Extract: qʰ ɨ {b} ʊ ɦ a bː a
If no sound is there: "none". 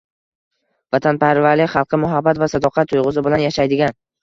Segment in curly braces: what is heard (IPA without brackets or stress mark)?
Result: m